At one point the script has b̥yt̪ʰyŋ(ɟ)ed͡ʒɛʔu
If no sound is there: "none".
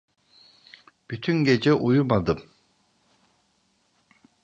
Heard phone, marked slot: ɡ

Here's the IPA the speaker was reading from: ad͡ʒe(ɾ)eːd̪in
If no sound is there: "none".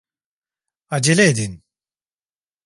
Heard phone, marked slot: l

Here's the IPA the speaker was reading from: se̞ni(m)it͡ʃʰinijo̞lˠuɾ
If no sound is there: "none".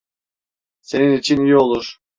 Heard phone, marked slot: n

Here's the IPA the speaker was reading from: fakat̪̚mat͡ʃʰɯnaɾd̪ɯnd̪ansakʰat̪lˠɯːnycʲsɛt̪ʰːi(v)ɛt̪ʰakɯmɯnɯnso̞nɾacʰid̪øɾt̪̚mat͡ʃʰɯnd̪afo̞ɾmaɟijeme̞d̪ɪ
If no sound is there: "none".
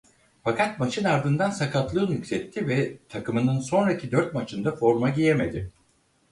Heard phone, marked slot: v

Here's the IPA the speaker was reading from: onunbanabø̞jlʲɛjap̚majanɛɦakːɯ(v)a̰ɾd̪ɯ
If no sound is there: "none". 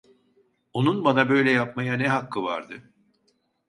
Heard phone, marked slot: v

